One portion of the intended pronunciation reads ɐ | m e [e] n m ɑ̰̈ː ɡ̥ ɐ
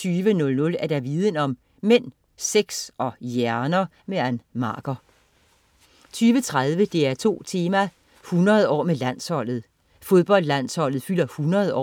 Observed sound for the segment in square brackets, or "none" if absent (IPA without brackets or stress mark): æ